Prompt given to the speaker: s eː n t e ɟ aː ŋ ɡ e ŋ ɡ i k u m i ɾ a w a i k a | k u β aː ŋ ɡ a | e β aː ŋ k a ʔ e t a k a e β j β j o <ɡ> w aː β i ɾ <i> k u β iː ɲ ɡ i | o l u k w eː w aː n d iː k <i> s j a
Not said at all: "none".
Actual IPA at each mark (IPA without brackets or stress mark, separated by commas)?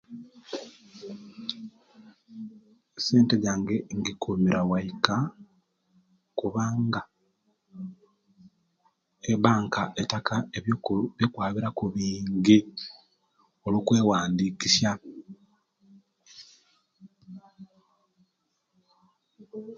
k, a, i